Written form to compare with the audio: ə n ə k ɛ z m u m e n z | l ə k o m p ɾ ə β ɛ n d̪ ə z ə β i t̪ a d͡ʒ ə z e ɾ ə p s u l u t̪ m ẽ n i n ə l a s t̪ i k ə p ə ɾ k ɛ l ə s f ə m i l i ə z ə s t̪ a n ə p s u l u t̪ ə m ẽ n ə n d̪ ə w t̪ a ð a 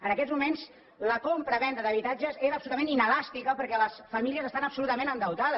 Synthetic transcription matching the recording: ə n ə k ɛ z m u m e n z | l ə k o m p ɾ ə β ɛ n d̪ ə ð ə β i t̪ a d͡ʒ ə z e ɾ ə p s u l u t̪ m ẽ n i n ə l a s t̪ i k ə p ə ɾ k ɛ l ə s f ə m i l i ə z ə s t̪ a n ə p s u l u t̪ ə m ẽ n ə n d̪ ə w t̪ a ð ə